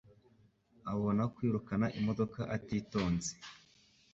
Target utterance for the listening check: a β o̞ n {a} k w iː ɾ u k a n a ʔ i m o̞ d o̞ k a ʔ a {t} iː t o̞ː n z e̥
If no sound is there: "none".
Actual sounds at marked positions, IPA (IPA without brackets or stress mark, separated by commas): a, t